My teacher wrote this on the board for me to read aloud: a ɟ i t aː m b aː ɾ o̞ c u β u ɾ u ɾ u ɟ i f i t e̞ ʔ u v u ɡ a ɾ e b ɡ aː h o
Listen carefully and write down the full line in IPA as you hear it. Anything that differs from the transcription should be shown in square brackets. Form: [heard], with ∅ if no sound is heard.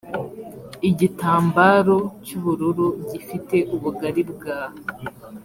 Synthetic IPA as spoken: [i] ɟ i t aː m b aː ɾ o̞ c u β u ɾ u ɾ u ɟ i f i t e̞ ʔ u [β] u ɡ a ɾ [i] b ɡ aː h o